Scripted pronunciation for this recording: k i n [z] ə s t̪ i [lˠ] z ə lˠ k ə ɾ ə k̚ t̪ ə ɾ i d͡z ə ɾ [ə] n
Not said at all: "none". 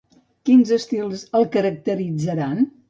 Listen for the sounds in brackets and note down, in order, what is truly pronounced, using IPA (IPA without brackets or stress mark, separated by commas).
z, lˠ, a